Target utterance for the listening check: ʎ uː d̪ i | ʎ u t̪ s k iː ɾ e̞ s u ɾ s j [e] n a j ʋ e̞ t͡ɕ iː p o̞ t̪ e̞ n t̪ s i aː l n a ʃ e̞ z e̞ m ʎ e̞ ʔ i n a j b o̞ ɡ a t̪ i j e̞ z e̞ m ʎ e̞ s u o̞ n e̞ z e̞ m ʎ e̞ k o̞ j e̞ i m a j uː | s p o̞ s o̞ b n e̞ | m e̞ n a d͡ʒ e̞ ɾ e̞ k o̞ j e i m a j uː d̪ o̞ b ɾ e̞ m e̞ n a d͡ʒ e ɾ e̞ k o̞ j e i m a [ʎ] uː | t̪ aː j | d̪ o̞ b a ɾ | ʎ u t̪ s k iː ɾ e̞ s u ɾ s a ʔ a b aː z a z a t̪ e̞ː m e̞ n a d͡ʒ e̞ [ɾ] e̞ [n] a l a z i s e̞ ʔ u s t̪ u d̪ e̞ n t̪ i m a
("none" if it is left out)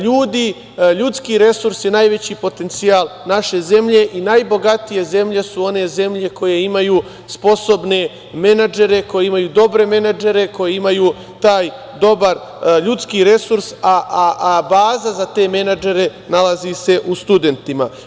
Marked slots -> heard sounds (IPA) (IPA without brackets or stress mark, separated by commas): e, j, ɾ, n